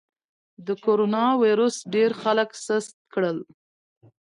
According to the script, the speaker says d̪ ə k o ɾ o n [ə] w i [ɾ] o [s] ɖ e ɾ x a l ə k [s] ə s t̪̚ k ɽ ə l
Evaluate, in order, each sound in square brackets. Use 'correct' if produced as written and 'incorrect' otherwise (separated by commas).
incorrect, correct, correct, correct